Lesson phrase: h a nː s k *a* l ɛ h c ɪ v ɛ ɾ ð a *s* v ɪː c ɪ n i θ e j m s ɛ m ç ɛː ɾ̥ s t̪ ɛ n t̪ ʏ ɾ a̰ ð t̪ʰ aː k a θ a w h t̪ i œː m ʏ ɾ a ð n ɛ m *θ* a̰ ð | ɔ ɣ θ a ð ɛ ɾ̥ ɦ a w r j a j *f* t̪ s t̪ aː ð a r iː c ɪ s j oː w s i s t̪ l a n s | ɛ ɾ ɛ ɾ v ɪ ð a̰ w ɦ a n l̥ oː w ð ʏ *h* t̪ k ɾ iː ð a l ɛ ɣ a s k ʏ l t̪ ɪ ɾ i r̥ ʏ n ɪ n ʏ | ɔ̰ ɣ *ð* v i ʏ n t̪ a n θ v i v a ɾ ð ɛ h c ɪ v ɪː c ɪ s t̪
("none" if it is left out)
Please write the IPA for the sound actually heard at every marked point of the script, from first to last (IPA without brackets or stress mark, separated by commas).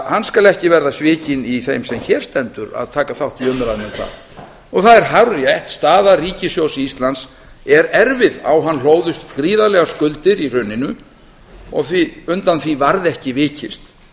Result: a, s, θ, h, s, θ